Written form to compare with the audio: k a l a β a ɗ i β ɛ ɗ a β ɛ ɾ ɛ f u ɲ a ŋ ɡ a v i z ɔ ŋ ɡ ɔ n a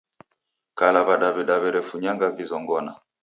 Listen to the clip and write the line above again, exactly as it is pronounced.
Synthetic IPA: k a l a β a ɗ a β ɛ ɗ a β ɛ ɾ ɛ f u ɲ a ŋ ɡ a v i z ɔ ŋ ɡ ɔ n a